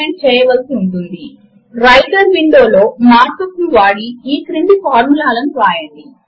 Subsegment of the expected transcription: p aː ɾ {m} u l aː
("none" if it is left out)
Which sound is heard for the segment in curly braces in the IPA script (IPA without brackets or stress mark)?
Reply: m